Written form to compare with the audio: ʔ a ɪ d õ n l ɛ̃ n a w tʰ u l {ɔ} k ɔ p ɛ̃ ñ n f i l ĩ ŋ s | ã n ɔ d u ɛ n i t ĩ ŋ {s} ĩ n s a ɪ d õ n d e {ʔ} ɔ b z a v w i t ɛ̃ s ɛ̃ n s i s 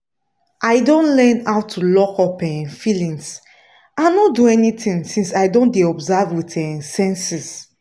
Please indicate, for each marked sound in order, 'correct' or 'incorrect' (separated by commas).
correct, correct, incorrect